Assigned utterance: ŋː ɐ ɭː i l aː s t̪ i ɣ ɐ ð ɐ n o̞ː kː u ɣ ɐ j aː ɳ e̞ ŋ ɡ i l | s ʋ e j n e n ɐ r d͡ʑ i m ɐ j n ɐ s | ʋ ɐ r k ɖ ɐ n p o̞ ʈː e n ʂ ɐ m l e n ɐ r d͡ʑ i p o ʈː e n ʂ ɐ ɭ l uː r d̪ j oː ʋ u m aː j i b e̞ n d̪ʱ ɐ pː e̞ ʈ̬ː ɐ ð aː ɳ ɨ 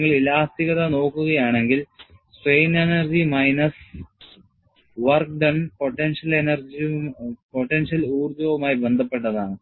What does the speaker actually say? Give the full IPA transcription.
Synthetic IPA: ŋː ɐ ɭ i l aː s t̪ i ɣ ɐ ð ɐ n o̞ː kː u ɣ ɐ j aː ɳ e̞ ŋ ɡ i l | s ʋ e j n e n ɐ r d͡ʑ i m ɐ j n ɐ s | ʋ ɐ r k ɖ ɐ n p o̞ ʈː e n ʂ ɐ l e n ɐ r d͡ʑ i p o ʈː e n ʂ ɐ l uː r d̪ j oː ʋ u m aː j i b e̞ n d̪ʱ ɐ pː e̞ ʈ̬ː ɐ ð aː ɳ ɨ